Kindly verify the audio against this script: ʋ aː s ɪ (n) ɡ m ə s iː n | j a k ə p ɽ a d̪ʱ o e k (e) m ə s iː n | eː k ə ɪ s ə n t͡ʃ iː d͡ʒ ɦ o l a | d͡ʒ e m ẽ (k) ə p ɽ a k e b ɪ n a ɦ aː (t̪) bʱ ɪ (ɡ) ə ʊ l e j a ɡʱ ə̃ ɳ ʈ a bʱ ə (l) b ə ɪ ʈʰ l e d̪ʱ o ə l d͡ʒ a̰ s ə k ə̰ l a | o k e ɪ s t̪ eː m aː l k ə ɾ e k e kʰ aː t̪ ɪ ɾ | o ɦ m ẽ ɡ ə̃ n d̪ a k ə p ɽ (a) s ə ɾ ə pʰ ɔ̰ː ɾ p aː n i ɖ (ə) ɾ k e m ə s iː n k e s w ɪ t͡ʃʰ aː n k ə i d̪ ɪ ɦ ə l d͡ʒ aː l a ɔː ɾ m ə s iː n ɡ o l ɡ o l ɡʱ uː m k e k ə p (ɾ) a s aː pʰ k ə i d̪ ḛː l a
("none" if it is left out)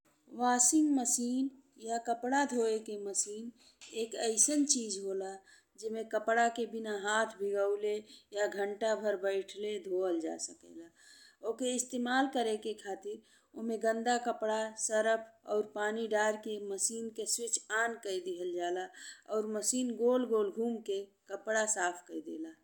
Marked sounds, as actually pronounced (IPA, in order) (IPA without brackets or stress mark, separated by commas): ŋ, e, k, t̪ʰ, ɡ, ɾ, a, a, ɽ